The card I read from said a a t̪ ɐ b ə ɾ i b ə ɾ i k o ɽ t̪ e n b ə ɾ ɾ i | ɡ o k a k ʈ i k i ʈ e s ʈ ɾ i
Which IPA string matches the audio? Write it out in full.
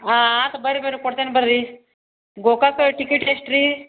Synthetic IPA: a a t̪ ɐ b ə ɾ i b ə ɾ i k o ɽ t̪ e n b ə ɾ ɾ i | ɡ o k a k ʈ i k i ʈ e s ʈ ɾ i